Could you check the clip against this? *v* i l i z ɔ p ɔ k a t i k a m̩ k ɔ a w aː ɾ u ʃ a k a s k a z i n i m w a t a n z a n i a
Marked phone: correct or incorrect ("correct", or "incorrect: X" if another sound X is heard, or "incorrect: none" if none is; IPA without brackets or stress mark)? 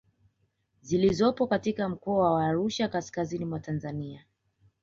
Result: incorrect: z